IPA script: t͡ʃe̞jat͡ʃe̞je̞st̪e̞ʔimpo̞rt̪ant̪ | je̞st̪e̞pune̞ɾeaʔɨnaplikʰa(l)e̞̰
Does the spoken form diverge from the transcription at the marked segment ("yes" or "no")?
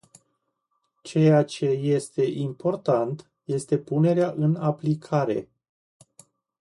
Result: yes